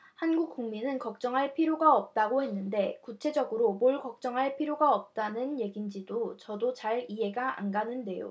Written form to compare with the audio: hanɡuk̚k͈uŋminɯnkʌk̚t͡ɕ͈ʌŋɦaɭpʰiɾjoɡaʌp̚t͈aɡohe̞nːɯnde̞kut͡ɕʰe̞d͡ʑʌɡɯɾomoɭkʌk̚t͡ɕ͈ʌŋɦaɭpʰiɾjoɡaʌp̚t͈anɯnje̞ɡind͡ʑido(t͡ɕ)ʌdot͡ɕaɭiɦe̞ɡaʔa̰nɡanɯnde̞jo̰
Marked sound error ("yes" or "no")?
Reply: no